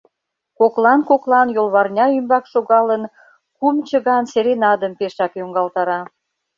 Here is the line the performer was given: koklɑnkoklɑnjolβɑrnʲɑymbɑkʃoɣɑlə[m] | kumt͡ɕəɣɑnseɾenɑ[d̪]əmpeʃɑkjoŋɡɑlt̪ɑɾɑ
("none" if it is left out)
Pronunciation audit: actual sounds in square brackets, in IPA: n, d̪

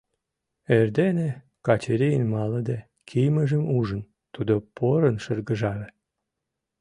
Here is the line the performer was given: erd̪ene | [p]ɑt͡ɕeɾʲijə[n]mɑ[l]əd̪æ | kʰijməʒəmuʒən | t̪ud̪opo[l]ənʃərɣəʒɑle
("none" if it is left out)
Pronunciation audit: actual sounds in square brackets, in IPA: k, n, l, ɾ

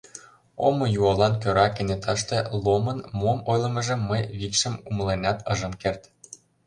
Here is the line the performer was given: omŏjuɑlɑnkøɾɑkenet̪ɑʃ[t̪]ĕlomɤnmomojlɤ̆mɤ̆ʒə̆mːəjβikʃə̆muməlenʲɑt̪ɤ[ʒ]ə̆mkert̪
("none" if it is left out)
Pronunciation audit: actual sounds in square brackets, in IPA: t̪, ʒ

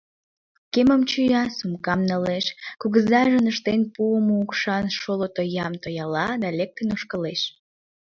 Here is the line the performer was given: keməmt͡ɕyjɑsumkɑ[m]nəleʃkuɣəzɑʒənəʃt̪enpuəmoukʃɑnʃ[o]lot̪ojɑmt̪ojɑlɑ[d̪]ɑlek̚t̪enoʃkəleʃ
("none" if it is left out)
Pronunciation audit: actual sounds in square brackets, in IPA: m, o, d̪

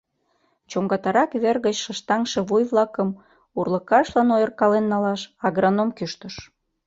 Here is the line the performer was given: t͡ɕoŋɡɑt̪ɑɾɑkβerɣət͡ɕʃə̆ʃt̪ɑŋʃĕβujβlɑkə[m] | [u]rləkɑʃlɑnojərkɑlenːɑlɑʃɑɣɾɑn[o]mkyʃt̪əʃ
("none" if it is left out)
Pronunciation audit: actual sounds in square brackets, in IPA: m, u, o

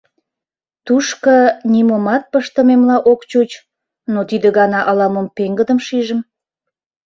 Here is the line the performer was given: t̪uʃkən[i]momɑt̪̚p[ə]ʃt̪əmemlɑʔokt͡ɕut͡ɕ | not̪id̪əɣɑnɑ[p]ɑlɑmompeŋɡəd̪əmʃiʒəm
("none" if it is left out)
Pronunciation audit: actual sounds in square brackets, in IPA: i, ə, ʔ

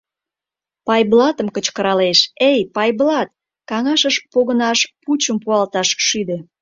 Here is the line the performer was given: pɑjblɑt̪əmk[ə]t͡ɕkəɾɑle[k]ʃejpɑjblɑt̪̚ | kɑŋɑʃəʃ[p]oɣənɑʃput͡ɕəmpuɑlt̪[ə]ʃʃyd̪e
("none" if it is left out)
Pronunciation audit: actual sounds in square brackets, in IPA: ə, none, p, ɑ

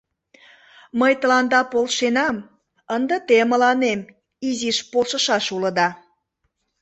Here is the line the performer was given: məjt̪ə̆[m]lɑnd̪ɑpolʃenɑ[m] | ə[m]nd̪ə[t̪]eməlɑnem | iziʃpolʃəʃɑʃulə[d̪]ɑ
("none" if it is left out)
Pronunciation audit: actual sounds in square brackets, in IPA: none, m, none, t̪, d̪

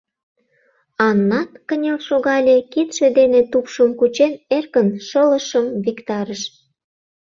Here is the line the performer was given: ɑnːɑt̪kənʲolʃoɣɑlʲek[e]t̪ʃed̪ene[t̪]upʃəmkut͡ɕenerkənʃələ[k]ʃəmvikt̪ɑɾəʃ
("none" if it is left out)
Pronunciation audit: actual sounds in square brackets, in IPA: i, t̪, none

